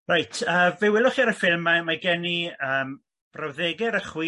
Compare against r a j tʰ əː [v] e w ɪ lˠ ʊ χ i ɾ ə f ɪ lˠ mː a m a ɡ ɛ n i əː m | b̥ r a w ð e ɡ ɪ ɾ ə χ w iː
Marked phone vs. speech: correct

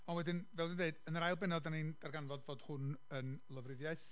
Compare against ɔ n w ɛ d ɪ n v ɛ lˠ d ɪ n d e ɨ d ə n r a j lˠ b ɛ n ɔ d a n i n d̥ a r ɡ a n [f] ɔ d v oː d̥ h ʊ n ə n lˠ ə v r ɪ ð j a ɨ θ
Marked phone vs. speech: incorrect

